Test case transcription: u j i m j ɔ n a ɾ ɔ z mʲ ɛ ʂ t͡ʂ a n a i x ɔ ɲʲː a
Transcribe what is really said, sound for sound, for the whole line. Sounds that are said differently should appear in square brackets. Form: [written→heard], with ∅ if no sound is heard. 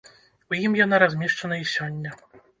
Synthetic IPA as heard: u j i m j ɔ n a ɾ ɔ z mʲ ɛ ʂ t͡ʂ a n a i [x→ɕ] ɔ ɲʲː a

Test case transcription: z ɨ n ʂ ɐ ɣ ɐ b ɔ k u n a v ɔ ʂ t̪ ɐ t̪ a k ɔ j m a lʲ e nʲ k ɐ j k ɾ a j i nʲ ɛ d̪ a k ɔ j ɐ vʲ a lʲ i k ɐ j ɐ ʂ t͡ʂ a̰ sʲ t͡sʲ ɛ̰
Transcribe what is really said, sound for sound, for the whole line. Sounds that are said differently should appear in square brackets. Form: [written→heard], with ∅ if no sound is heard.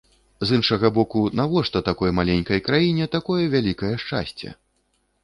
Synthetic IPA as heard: z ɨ n ʂ ɐ ɣ ɐ b ɔ k u n a v ɔ ʂ t̪ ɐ t̪ a k ɔ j m a lʲ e nʲ k ɐ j k ɾ a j i nʲ ɛ [d̪→t̪] a k ɔ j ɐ vʲ a lʲ i k ɐ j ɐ ʂ t͡ʂ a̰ sʲ t͡sʲ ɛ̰

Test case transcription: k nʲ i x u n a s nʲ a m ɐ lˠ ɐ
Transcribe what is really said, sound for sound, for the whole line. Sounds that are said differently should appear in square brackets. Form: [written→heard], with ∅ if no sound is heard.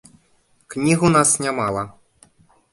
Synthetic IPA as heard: k nʲ i [x→ɣ] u n a s nʲ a m [ɐ→a] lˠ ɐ

